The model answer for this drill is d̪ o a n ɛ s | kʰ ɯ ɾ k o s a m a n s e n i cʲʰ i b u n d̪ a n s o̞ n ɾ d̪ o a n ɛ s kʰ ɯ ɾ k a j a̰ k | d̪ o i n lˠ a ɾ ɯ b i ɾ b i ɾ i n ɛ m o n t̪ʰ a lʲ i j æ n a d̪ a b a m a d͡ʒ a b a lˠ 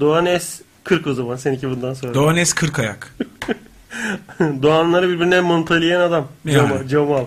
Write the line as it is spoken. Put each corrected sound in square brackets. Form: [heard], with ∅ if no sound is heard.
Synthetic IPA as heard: d̪ o a n ɛ s | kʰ ɯ ɾ k o [z] a m a n s e n i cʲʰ i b u n d̪ a n s o̞ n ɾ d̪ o a n ɛ s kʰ ɯ ɾ k a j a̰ k | d̪ o [a] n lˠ a ɾ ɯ b i ɾ b i ɾ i n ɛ m o n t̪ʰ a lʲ i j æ n a d̪ a [m] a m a d͡ʒ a [m] a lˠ